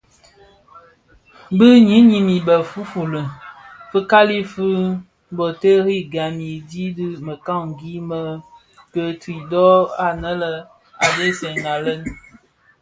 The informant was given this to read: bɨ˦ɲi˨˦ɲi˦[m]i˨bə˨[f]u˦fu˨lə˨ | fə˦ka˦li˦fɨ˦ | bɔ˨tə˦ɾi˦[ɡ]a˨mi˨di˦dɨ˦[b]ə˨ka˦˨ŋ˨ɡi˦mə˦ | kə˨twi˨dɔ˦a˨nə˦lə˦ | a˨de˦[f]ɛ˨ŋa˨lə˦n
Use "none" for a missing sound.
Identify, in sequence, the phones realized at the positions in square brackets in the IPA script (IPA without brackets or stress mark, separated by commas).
m, f, ɡ, m, s